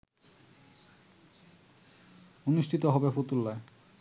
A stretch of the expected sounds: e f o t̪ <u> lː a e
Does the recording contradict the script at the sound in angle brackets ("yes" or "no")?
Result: no